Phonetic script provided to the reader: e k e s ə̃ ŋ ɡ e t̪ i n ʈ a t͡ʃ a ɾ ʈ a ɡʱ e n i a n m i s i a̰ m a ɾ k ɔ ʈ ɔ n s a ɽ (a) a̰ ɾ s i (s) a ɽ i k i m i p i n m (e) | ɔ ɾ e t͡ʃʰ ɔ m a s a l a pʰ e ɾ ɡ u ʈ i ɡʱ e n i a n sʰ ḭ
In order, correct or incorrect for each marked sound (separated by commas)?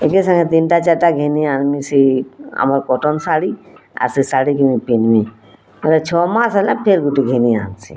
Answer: incorrect, correct, incorrect